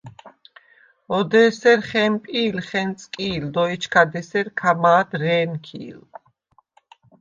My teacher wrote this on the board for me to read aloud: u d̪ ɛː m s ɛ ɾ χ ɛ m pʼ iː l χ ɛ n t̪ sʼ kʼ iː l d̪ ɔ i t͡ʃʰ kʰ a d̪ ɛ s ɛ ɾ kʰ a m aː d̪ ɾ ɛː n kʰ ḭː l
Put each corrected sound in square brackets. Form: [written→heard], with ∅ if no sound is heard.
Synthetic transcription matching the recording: [u→ɔ] d̪ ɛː [m→∅] s ɛ ɾ χ ɛ m pʼ iː l χ ɛ n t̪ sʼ kʼ iː l d̪ ɔ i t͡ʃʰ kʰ a d̪ ɛ s ɛ ɾ kʰ a m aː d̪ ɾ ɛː n kʰ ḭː l

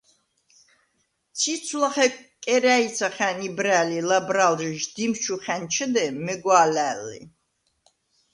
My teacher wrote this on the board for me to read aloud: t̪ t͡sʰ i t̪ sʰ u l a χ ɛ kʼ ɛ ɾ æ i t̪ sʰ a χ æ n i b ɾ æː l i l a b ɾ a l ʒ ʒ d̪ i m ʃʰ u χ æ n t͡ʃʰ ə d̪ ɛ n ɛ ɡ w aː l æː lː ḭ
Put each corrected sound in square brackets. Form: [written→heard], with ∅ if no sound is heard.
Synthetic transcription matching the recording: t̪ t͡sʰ i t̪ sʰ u l a χ ɛ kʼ ɛ ɾ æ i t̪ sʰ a χ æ n i b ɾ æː l i l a b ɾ a l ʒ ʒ d̪ i m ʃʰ u χ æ n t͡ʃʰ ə d̪ ɛ [n→m] ɛ ɡ w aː l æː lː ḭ

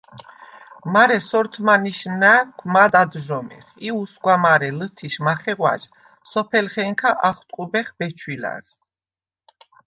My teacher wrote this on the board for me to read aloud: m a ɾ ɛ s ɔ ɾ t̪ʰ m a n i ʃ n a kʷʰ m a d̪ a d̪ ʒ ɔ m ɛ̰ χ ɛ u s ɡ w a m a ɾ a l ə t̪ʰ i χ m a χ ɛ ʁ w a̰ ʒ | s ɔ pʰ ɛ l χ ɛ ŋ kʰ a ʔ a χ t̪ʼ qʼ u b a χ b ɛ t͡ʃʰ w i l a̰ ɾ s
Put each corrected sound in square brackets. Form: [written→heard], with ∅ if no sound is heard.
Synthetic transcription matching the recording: m a ɾ ɛ s ɔ ɾ t̪ʰ m a n i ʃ n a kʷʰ m a d̪ a d̪ ʒ ɔ m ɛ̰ χ [ɛ→i] u s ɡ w a m a ɾ [a→ɛ] l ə t̪ʰ i [χ→ʃ] m a χ ɛ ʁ w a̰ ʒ | s ɔ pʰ ɛ l χ ɛ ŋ kʰ a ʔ a χ t̪ʼ qʼ u b [a→ɛ] χ b ɛ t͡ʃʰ w i l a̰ ɾ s

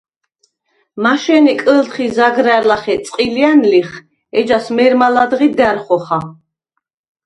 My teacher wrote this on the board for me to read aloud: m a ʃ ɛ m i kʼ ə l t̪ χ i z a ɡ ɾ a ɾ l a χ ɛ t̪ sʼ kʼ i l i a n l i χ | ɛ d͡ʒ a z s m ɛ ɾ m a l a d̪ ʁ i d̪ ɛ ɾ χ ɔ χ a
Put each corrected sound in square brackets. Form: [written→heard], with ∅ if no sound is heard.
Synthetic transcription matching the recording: m a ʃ ɛ [m→n] i kʼ ə l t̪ χ i z a ɡ ɾ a ɾ l a χ ɛ t̪ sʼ [kʼ→qʼ] i l i a n l i χ | ɛ d͡ʒ a [z→∅] s m ɛ ɾ m a l a d̪ ʁ i d̪ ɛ ɾ χ ɔ χ a

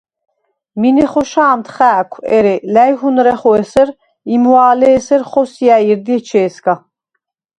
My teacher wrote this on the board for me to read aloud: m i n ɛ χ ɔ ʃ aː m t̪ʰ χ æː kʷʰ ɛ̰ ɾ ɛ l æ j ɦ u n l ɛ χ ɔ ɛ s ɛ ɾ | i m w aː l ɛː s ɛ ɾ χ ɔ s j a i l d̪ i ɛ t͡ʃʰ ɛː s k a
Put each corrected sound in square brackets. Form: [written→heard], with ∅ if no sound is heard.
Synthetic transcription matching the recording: m i n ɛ χ ɔ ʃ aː m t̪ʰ χ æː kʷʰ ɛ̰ ɾ ɛ l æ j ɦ u n [l→ɾ] ɛ χ ɔ ɛ s ɛ ɾ | i m w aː l ɛː s ɛ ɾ χ ɔ s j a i [l→ɾ] d̪ i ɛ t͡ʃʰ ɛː s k a

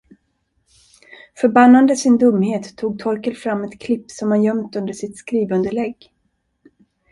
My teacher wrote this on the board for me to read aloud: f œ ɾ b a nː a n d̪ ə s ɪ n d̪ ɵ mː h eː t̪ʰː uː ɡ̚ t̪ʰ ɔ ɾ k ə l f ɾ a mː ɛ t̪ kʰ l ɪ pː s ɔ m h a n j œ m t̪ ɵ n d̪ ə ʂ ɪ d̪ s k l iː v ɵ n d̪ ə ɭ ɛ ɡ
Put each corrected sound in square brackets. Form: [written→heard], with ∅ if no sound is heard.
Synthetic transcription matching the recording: f œ ɾ b a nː a n d̪ ə s ɪ n d̪ ɵ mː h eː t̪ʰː uː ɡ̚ t̪ʰ ɔ ɾ k ə l f ɾ a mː ɛ t̪ kʰ l ɪ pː s ɔ m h a n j œ m t̪ ɵ n d̪ ə ʂ ɪ [d̪→t̪] s k [l→ɾ] iː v ɵ n d̪ ə ɭ ɛ ɡ

